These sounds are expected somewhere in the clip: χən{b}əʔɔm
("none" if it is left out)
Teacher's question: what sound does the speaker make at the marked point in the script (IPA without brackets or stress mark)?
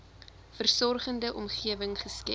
d